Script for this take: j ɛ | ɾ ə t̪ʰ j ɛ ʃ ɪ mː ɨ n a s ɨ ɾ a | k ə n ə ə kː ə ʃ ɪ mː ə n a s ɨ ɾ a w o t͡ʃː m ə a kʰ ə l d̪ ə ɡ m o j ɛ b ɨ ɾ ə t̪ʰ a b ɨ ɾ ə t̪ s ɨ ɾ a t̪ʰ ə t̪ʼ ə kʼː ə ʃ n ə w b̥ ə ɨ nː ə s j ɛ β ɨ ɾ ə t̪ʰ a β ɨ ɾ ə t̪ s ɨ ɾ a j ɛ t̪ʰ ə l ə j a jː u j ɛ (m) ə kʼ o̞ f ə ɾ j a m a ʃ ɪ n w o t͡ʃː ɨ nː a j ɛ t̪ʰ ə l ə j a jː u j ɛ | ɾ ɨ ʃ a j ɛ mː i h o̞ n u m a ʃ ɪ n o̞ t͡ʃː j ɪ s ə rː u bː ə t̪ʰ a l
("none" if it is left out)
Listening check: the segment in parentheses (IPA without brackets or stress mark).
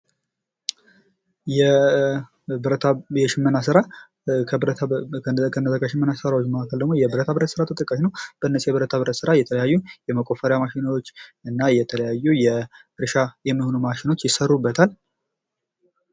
m